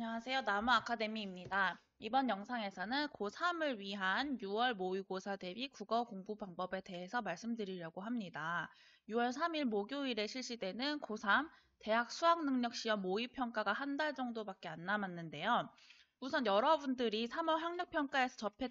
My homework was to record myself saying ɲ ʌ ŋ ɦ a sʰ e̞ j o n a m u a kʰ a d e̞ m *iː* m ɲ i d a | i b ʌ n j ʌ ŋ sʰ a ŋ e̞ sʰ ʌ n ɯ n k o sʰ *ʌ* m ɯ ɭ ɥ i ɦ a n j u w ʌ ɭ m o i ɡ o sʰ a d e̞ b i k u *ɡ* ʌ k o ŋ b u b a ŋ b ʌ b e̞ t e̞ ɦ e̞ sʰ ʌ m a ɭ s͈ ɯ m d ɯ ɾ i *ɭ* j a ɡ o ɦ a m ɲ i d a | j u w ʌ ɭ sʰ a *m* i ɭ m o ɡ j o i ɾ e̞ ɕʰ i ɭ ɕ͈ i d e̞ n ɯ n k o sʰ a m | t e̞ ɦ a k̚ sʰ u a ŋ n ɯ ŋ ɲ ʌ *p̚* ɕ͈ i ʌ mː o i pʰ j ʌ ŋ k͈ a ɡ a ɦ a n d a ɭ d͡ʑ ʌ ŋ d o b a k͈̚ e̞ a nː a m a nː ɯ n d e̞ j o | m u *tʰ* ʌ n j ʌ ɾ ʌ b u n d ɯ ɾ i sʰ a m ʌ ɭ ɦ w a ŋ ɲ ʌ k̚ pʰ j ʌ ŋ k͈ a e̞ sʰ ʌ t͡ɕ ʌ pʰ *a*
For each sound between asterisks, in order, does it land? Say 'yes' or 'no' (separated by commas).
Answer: yes, no, yes, no, yes, no, no, no